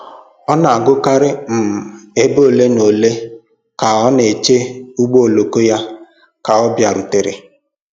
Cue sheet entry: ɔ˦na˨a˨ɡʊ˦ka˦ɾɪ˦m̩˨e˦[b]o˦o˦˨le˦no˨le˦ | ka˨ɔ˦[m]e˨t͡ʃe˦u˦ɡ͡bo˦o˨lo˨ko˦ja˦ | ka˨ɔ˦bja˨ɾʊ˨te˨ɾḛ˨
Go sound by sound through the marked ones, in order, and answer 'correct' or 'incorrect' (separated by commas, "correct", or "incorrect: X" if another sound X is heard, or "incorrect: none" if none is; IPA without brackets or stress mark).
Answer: correct, incorrect: n